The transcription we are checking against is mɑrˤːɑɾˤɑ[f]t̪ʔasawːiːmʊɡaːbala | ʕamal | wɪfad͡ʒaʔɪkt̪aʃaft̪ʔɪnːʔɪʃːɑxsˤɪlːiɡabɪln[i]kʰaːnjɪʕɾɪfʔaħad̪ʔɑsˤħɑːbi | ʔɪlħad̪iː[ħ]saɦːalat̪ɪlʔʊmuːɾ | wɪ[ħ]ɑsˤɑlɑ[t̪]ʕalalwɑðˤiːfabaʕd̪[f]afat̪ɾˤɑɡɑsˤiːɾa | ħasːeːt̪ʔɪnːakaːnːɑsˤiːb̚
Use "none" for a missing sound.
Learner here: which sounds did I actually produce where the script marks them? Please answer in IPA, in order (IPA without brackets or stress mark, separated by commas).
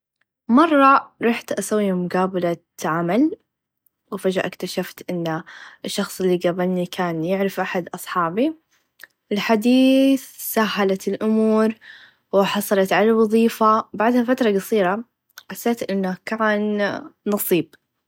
ħ, i, θ, ħ, t̪, h